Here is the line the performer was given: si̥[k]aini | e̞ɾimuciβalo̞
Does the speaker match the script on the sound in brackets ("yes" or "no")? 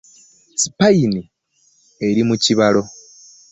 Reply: no